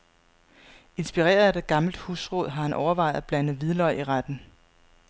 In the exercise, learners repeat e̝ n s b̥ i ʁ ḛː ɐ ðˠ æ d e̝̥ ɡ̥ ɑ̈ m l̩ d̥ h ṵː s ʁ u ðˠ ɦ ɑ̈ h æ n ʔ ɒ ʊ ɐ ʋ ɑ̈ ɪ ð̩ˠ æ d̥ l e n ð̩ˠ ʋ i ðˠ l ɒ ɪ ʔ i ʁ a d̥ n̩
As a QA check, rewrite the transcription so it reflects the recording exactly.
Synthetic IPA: e̝ n s b̥ i ʁ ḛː ɐ ðˠ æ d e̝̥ ɡ̥ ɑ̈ m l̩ d̥ h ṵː s ʁ ɔ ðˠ ɦ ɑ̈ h æ n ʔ ɒ ʊ ɐ ʋ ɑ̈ ɪ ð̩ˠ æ b̥ l æ n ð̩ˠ ʋ i ðˠ l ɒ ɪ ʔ i ʁ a d̥ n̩